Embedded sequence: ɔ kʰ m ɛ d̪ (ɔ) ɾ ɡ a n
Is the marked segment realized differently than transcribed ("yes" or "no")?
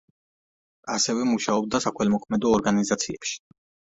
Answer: yes